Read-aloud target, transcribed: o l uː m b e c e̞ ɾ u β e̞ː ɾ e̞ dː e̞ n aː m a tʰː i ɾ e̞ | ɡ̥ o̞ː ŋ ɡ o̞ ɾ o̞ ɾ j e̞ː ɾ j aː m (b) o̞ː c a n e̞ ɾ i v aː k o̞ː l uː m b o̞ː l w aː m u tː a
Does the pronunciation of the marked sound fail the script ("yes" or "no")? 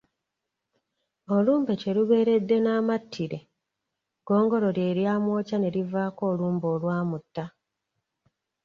yes